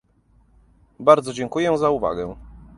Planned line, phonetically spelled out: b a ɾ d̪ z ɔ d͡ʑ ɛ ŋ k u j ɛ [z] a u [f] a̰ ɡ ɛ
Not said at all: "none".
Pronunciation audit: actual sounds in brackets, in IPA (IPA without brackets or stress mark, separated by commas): z, v